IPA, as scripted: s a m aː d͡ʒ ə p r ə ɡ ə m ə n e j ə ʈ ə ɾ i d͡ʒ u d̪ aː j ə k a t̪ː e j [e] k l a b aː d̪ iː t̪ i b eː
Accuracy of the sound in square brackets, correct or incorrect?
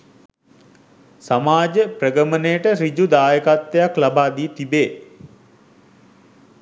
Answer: incorrect